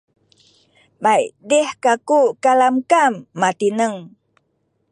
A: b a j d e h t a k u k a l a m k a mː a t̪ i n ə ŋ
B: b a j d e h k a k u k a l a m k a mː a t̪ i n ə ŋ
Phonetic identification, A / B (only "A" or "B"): B